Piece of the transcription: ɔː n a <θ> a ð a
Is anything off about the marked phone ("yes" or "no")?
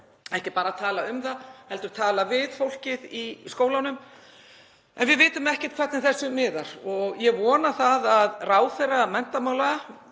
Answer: no